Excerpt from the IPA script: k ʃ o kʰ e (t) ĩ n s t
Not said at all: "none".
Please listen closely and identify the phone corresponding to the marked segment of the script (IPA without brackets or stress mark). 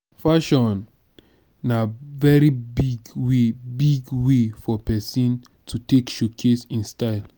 s